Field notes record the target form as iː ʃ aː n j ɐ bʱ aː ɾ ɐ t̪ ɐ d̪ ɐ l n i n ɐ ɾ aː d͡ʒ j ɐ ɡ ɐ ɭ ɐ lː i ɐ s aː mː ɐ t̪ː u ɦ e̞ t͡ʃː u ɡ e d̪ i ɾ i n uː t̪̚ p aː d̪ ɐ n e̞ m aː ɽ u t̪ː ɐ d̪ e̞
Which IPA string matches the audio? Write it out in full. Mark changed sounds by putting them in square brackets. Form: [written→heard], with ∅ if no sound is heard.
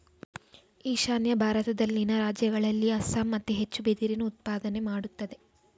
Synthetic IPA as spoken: iː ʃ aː n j ɐ bʱ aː ɾ ɐ t̪ ɐ d̪ ɐ l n i n ɐ ɾ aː d͡ʒ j ɐ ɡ ɐ ɭ ɐ lː i ɐ s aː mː ɐ t̪ː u ɦ e̞ t͡ʃː u [ɡ→b] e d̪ i ɾ i n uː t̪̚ p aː d̪ ɐ n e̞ m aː ɽ u t̪ː ɐ d̪ e̞